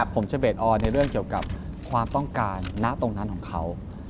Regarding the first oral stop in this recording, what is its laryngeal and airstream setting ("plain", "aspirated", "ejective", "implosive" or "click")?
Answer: aspirated